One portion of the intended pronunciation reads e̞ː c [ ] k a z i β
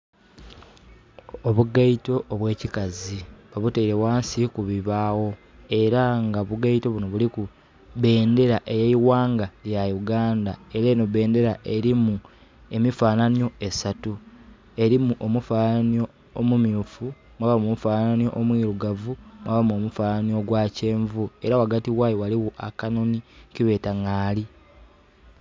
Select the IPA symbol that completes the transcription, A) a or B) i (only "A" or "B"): B